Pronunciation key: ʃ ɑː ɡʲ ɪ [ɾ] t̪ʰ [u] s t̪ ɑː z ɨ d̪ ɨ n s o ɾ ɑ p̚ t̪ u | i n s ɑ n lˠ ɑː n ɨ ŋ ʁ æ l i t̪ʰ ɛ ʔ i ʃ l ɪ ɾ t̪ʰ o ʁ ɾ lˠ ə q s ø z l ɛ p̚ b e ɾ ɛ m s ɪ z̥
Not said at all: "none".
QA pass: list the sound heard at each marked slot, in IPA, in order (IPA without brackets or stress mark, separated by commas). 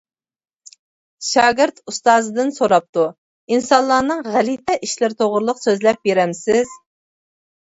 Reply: ɾ, u